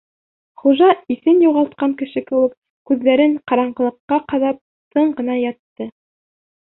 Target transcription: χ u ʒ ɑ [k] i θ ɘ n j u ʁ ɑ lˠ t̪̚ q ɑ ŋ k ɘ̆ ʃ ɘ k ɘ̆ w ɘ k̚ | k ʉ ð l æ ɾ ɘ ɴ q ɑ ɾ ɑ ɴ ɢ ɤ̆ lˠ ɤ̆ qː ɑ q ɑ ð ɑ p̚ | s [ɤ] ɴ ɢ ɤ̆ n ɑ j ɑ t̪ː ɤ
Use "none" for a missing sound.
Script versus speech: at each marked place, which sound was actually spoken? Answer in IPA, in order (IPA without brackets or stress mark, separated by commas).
none, ɤ